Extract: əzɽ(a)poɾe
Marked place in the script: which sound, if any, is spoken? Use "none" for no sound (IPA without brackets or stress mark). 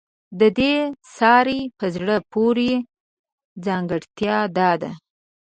ə